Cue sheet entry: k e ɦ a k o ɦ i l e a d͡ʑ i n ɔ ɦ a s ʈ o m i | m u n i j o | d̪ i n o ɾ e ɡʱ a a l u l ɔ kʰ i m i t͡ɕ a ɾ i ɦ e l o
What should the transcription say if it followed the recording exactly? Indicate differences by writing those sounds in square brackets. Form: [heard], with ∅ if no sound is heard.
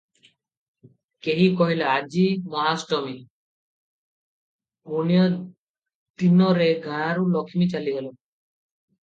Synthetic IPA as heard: k e ɦ [i] k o ɦ i l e a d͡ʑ i [m] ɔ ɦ a s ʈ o m i | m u n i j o | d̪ i n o ɾ e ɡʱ a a [ɾ] u l ɔ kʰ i m i t͡ɕ a [l] i ɦ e l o